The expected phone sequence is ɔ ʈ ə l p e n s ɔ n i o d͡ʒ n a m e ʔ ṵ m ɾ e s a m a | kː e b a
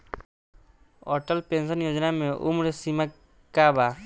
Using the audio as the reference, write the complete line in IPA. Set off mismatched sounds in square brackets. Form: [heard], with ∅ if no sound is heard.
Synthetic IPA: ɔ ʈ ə l p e n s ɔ n [j] o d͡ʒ n a m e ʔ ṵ m ɾ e s [i] m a | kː [a] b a